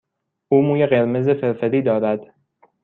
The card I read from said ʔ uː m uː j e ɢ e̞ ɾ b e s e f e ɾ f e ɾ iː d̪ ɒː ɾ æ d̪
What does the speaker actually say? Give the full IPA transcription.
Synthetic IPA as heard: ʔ uː m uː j e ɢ e̞ ɾ m e z e f e ɾ f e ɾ iː d̪ ɒː ɾ æ d̪